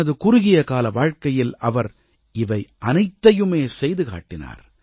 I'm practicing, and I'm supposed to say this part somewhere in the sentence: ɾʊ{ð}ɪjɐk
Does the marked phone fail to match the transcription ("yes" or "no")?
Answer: yes